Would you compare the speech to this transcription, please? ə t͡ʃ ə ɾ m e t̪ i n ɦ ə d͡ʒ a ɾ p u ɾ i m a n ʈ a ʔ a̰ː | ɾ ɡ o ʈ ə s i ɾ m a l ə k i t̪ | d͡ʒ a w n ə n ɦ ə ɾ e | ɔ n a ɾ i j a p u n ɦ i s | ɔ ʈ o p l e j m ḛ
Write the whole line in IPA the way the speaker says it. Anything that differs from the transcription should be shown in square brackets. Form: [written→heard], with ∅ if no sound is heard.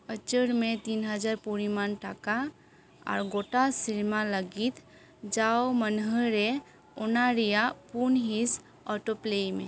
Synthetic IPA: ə t͡ʃ ə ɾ m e t̪ i n ɦ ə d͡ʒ a ɾ p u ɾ i m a n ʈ a [ʔ→k] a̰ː | ɾ ɡ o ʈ [ə→a] s i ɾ m a l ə [k→ɡ] i t̪ | d͡ʒ a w [n→m] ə n ɦ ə ɾ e | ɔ n a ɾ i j a p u n ɦ i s | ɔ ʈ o p l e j m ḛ